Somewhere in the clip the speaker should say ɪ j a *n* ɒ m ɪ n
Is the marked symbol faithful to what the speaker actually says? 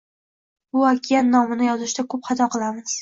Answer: no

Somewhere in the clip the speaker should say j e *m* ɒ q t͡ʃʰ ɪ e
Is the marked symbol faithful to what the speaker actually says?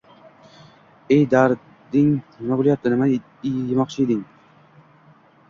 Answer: yes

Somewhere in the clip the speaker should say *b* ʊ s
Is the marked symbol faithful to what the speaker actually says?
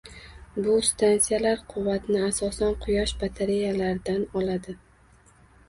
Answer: yes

